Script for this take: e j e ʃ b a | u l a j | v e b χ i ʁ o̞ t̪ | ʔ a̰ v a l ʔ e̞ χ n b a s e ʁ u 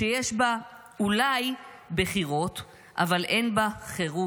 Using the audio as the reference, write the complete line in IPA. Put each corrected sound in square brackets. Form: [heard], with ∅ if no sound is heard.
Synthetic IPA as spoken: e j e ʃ b a | u l a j | [b] e [∅] χ i ʁ o̞ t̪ | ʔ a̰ v a l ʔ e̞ [∅] n b a [χ] e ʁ u